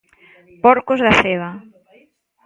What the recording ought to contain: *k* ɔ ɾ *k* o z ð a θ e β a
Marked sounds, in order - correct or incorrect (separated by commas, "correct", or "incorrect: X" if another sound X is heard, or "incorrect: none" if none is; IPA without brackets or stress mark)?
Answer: incorrect: p, correct